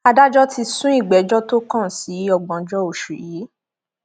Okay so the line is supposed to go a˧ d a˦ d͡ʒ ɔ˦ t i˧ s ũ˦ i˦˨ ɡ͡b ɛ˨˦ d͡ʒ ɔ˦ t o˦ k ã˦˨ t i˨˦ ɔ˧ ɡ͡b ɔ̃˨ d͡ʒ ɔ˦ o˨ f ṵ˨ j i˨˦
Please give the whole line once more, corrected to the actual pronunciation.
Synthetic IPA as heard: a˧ d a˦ d͡ʒ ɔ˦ t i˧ s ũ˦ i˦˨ ɡ͡b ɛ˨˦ d͡ʒ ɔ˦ t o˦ k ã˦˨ s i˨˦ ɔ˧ ɡ͡b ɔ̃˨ d͡ʒ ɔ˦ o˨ ʃ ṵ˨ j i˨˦